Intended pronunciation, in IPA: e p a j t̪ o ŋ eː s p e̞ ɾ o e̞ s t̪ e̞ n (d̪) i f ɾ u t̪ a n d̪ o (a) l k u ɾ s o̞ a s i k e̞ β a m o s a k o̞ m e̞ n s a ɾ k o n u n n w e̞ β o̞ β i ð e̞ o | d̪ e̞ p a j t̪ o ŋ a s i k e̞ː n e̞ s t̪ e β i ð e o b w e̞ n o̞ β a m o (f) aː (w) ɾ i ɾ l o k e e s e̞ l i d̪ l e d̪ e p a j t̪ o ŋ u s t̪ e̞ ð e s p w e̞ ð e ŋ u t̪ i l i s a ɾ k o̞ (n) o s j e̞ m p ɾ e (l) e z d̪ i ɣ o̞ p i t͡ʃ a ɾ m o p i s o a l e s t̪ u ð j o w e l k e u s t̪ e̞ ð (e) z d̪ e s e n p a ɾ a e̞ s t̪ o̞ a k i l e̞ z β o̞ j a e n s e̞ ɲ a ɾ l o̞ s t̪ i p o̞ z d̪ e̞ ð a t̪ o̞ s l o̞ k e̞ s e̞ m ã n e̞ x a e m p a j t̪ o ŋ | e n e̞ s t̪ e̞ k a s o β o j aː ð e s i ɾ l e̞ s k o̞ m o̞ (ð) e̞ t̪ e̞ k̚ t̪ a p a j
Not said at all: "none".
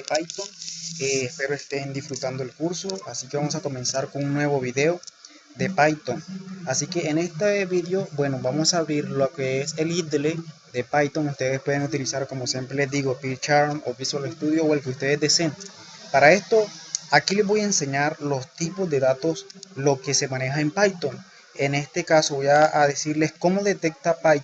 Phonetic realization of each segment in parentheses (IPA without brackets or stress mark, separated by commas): d̪, e, s, β, m, l, e, ð